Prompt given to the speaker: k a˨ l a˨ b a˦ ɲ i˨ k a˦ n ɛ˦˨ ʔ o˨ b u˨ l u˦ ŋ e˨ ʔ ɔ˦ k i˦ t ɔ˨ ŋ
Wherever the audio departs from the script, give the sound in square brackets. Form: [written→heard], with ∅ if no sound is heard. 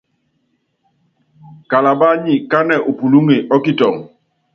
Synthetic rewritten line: k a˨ l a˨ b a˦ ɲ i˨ k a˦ n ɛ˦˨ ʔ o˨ [b→p] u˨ l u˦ ŋ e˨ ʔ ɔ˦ k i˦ t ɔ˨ ŋ